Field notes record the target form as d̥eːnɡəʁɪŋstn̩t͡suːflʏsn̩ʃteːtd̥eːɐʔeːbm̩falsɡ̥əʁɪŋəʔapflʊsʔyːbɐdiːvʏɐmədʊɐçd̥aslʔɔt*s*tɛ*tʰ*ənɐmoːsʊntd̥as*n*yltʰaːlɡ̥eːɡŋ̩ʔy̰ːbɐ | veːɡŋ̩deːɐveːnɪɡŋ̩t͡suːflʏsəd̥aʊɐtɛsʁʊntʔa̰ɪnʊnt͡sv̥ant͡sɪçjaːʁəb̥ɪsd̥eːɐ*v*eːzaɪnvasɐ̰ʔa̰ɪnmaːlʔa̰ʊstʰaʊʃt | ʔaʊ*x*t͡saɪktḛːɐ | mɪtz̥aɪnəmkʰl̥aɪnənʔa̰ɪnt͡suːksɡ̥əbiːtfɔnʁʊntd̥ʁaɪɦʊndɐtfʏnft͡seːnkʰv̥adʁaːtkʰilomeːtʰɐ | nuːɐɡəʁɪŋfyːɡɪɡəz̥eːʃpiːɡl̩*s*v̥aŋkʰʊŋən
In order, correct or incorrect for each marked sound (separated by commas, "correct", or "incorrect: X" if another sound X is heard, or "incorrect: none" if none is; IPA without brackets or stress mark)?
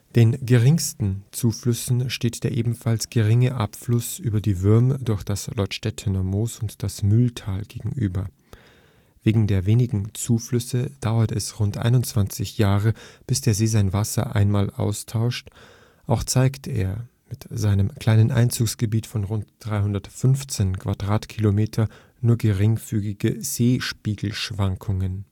incorrect: ʃ, correct, incorrect: m, incorrect: z, correct, incorrect: ʃ